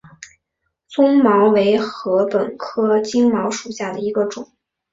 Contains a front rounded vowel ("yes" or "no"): no